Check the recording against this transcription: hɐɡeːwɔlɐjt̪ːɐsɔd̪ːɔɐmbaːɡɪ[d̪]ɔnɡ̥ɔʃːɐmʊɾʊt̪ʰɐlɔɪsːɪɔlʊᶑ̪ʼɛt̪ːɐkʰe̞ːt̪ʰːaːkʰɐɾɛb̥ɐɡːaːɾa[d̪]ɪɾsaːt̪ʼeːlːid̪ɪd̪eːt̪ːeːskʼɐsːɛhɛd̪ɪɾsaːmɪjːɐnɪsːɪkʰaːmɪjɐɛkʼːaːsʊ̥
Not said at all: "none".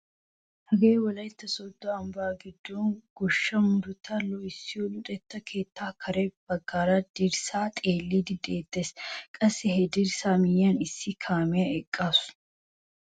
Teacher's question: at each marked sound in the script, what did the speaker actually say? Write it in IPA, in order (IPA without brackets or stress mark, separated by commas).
d̪ː, d̪